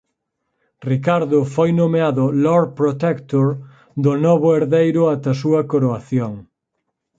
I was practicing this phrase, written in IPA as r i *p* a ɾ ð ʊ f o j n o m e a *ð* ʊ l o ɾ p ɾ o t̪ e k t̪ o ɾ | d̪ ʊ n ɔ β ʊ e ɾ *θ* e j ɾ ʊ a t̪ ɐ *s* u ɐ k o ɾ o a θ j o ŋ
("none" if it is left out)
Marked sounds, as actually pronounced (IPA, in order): k, ð, ð, s

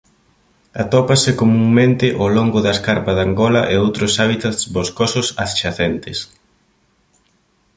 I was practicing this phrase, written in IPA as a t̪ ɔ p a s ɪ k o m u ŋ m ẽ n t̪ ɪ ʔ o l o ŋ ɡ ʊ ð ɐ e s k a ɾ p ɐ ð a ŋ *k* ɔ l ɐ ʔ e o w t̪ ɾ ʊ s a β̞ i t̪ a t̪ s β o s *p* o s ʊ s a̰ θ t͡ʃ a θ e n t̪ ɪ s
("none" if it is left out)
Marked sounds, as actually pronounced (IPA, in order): ɡ, k

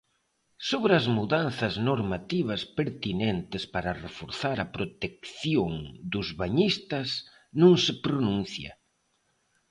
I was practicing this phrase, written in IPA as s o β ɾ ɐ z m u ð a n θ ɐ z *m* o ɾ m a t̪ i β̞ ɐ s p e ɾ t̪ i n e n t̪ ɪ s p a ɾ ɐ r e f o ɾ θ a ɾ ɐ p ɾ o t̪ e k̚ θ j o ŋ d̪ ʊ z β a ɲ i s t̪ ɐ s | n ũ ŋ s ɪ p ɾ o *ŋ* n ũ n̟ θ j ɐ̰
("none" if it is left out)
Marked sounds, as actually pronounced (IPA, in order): n, none

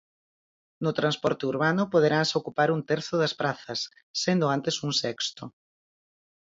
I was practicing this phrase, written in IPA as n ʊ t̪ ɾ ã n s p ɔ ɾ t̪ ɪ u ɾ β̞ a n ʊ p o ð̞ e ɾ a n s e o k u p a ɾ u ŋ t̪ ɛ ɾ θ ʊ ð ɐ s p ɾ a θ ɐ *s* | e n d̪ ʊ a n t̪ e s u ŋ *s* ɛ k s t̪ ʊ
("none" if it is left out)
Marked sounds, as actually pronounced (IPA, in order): sː, s

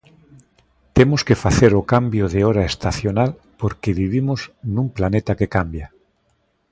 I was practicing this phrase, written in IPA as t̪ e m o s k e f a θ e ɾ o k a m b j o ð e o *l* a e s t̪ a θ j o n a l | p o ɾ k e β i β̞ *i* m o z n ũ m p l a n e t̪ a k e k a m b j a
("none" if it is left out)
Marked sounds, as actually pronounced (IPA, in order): ɾ, i

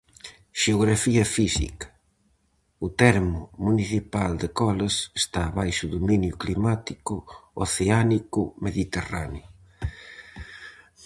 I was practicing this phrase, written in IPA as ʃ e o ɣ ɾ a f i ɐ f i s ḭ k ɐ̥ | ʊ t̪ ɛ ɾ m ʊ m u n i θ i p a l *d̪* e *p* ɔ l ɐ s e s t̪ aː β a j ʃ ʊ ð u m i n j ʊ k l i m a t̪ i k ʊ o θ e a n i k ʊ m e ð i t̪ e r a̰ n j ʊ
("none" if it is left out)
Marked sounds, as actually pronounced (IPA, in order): d̪, k

